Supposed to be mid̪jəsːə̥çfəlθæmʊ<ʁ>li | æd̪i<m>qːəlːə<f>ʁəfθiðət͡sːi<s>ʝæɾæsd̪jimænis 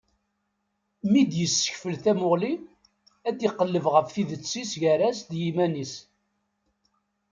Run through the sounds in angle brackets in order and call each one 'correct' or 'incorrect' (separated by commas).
correct, incorrect, incorrect, correct